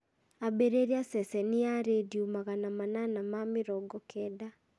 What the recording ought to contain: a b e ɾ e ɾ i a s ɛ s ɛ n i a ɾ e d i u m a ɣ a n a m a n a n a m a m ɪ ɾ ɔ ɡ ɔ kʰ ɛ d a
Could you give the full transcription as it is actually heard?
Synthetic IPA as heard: a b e ɾ e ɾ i a s ɛ s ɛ n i a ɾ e d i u m a ɣ a n a m a n a n a m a m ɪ ɾ ɔ ɡ ɔ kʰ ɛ d a